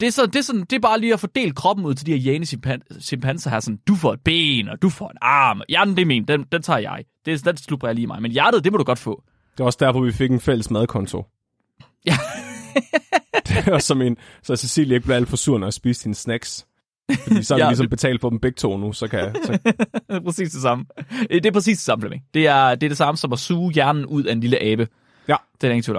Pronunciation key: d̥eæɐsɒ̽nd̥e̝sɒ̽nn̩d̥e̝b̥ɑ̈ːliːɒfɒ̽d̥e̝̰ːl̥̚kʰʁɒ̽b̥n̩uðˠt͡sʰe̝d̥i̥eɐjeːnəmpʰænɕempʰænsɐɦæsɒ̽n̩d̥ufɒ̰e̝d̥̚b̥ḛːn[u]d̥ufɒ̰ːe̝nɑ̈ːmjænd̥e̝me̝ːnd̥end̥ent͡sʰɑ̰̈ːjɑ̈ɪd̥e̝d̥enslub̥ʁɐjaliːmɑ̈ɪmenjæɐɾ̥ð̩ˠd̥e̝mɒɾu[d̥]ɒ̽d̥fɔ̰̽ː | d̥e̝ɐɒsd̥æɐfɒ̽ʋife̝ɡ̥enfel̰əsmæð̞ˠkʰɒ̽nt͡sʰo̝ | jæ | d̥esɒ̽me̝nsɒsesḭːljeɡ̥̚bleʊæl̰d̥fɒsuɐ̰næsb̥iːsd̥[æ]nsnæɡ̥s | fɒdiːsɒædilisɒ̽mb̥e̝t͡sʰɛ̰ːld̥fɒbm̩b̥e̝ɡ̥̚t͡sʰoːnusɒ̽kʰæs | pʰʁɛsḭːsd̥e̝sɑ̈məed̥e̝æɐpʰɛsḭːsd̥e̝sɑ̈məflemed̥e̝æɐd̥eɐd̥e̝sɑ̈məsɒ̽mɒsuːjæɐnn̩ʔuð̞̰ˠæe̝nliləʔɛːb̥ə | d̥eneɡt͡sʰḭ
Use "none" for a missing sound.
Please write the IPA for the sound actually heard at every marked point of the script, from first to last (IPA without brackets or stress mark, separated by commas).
ɒ, ɡ̥, i